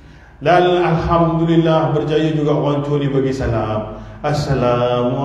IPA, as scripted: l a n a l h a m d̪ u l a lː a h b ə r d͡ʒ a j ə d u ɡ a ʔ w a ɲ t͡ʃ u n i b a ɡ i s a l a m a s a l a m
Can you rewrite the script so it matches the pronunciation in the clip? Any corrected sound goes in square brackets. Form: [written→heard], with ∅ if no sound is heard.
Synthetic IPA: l a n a l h a m d̪ u l [a→i] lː a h b ə r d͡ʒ a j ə [d→d͡ʒ] u ɡ a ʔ w a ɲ t͡ʃ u n i b a ɡ i s a l a m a s a l a m